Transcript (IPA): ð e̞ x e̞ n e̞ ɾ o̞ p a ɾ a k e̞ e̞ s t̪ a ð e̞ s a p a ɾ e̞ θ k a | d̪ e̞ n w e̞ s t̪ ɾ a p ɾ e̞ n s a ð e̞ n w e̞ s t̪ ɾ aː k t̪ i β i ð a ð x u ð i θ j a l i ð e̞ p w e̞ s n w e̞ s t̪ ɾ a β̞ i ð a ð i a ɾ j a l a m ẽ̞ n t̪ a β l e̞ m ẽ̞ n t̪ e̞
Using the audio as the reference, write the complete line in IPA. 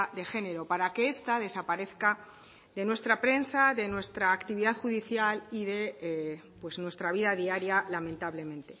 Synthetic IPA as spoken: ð e̞ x e̞ n e̞ ɾ o̞ p a ɾ a k e̞ e̞ s t̪ a ð e̞ s a p a ɾ e̞ θ k a | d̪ e̞ n w e̞ s t̪ ɾ a p ɾ e̞ n s a ð e̞ n w e̞ s t̪ ɾ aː k t̪ i β i ð a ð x u ð i θ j a l i ð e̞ p w e̞ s n w e̞ s t̪ ɾ a β̞ i ð a ð i a ɾ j a l a m ẽ̞ n t̪ a β l e̞ m ẽ̞ n t̪ e̞